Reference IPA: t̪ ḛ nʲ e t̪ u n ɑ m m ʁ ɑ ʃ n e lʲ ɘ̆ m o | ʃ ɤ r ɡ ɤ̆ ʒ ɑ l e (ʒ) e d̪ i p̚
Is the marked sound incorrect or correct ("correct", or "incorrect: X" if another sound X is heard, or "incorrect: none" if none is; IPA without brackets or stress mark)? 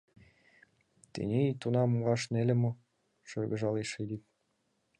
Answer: incorrect: ʃ